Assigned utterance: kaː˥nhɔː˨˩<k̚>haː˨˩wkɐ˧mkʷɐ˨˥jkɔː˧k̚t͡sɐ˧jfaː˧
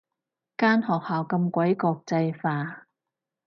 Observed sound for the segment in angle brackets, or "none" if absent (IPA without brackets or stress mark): k̚